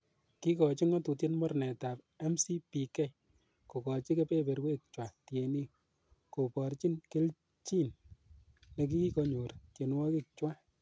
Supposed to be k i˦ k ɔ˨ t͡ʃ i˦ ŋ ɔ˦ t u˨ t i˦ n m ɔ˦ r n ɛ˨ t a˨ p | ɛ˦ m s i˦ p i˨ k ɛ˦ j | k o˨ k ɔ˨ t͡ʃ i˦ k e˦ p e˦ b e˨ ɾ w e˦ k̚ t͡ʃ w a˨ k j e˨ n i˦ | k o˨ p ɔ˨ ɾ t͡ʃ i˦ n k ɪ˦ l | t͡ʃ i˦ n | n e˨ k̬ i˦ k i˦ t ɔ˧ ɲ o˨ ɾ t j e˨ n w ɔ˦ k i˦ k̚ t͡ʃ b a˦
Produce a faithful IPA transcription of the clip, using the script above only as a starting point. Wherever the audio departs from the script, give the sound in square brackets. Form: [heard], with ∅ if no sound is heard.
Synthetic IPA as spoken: k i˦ k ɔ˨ t͡ʃ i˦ ŋ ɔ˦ t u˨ t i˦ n m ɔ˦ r n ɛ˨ t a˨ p | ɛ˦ m s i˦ p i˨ k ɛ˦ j | k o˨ k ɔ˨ t͡ʃ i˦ k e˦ p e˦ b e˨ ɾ w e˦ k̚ t͡ʃ w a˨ [t] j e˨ n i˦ | k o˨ p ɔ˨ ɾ t͡ʃ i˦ n k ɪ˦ l | t͡ʃ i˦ n | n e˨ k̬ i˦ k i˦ [k] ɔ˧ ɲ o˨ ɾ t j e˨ n w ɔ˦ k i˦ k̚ t͡ʃ [w] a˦